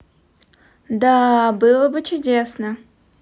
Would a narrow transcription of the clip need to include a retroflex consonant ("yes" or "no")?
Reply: no